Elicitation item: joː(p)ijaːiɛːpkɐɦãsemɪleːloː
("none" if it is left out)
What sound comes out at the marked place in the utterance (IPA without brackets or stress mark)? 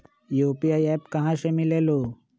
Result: p